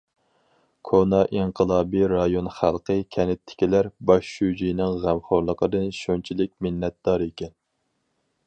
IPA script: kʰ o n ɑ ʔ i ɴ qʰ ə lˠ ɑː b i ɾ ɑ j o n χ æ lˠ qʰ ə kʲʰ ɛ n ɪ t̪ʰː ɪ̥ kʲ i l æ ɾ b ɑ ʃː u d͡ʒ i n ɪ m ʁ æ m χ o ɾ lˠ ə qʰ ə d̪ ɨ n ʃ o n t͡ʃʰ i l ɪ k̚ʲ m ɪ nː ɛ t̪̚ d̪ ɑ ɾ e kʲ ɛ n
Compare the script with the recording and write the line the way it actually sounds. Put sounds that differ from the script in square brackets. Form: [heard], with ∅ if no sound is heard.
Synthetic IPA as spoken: kʰ o n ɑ ʔ i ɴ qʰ ə lˠ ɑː b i ɾ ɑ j o n χ æ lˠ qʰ ə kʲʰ ɛ n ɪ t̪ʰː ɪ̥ kʲ i l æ ɾ b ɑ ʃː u d͡ʒ i n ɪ [ŋ] ʁ æ m χ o ɾ lˠ ə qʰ ə d̪ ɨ n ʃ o n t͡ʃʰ i l ɪ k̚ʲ m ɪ nː ɛ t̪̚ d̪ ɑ ɾ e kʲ ɛ n